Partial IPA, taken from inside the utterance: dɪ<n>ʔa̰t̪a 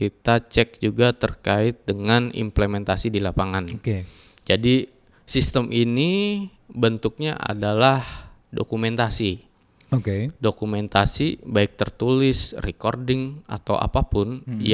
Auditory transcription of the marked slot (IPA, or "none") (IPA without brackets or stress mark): ŋ